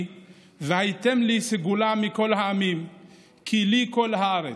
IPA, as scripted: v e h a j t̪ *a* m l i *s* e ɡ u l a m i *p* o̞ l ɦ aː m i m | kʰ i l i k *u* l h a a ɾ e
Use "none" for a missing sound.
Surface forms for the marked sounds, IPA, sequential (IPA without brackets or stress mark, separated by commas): e, s, k, o